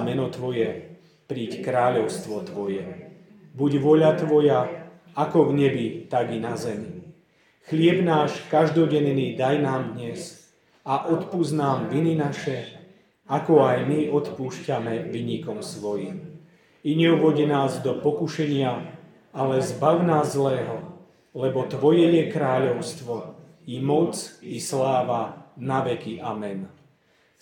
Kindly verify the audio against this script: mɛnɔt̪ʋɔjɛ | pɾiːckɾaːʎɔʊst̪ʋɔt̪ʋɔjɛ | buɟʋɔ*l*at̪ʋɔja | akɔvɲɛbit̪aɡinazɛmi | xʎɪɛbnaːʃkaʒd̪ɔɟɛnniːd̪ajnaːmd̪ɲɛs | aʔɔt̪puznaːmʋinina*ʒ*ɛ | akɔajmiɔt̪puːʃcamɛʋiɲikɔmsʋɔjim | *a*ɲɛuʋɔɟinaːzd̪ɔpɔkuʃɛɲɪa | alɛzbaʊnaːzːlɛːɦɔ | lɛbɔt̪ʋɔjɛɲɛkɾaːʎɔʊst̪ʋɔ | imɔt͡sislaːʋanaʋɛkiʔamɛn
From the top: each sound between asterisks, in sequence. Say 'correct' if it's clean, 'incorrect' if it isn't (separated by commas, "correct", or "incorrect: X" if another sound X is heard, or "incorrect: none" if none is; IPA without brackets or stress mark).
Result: incorrect: ʎ, incorrect: ʃ, incorrect: i